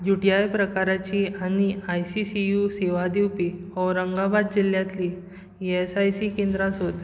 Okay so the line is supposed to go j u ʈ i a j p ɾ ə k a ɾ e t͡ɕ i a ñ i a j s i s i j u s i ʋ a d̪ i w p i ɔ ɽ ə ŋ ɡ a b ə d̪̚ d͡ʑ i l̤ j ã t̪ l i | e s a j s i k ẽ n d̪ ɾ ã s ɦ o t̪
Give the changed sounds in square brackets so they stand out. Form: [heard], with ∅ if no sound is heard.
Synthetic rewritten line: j u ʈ i a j p ɾ ə k a ɾ [a] t͡ɕ i a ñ i a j s i s i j u s [e] ʋ a d̪ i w p i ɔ [ɾ] ə ŋ ɡ a b [a] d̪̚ d͡ʑ i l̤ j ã t̪ l i | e s a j s i k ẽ n d̪ ɾ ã s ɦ o t̪